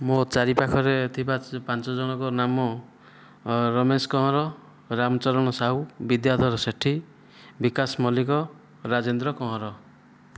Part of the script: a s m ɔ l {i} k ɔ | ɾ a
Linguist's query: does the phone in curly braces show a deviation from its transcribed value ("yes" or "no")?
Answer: no